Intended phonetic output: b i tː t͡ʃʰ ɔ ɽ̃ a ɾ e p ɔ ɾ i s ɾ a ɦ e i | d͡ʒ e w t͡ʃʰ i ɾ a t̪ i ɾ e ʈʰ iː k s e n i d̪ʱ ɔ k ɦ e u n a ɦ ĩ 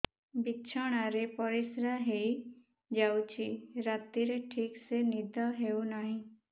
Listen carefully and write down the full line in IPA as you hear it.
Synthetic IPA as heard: b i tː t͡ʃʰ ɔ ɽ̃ a ɾ e p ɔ ɾ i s ɾ a ɦ e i | d͡ʒ a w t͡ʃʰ i ɾ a t̪ i ɾ e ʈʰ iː k s e n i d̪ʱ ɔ ɦ e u n a ɦ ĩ